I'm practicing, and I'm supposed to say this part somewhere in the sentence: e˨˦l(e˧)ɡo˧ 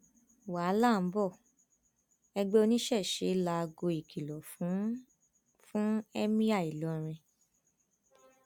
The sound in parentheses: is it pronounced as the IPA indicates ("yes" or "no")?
no